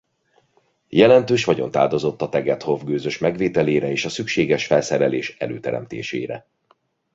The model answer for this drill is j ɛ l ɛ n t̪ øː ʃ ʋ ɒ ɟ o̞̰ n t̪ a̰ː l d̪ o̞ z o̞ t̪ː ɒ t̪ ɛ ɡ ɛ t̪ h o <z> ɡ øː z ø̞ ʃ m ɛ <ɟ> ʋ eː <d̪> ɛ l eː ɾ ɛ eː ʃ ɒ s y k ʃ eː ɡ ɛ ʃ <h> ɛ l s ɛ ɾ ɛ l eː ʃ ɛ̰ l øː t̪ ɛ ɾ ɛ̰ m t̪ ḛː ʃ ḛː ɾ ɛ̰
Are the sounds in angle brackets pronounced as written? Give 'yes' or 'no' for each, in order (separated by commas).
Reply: no, no, no, no